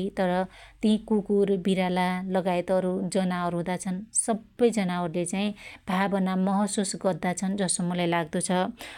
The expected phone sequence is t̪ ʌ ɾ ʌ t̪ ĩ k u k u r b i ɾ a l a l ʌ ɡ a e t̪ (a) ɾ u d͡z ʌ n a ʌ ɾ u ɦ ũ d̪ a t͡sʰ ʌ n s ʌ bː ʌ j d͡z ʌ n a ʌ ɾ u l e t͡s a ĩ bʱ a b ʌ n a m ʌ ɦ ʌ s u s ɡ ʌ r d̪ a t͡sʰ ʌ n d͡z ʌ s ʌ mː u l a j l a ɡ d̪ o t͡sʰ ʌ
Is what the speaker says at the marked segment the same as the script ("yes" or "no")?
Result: no